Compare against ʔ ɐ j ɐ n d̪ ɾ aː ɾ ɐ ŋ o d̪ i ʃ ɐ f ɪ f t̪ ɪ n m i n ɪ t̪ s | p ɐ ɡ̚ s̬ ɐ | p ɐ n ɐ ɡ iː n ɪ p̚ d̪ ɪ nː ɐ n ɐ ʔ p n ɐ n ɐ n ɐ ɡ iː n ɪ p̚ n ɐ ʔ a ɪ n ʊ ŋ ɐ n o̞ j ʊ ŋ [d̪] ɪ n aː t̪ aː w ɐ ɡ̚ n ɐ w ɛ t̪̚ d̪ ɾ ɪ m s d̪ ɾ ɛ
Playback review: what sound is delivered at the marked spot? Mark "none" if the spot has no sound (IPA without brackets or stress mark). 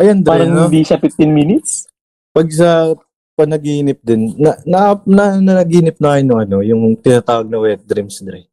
t̪